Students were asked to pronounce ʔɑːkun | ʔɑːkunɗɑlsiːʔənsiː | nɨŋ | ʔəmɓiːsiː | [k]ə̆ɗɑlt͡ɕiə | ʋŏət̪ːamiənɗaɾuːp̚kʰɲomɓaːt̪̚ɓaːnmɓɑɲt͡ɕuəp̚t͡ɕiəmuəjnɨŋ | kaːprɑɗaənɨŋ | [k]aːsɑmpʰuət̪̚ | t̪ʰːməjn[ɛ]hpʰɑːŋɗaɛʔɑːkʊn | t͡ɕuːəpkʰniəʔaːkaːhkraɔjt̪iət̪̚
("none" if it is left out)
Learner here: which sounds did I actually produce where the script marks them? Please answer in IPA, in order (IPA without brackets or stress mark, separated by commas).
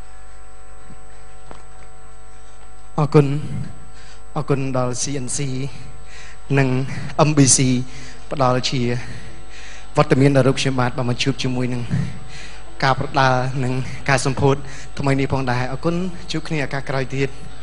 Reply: p, k, i